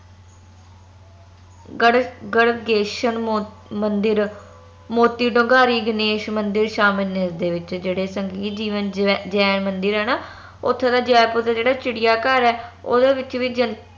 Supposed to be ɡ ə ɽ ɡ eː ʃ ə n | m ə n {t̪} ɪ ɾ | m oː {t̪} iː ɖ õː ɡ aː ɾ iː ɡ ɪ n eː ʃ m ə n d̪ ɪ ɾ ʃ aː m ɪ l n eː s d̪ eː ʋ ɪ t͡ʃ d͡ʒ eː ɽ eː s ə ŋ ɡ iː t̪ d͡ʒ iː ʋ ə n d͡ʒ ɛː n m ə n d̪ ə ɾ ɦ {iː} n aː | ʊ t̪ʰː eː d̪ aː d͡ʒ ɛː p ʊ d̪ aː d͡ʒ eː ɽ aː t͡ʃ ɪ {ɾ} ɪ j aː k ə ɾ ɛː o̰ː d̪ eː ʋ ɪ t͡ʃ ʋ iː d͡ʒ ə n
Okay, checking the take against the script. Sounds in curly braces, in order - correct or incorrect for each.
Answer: incorrect: d̪, correct, incorrect: ɛː, incorrect: ɽ

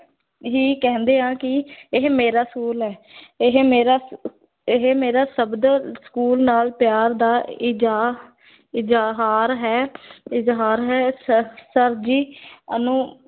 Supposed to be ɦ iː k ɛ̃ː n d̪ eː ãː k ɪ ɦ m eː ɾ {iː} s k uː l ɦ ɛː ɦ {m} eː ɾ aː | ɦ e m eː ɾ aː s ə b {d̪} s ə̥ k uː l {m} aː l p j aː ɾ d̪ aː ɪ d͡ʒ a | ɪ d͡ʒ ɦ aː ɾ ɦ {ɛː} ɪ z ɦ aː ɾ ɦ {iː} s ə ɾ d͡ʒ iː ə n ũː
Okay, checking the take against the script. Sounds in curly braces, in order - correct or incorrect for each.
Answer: incorrect: aː, correct, correct, incorrect: n, correct, incorrect: ɛː

